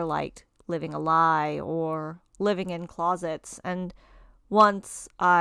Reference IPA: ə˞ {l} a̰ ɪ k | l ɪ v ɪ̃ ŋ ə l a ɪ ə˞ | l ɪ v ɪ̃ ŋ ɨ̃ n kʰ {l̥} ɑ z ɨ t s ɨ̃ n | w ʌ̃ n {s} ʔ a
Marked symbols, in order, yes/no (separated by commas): yes, yes, yes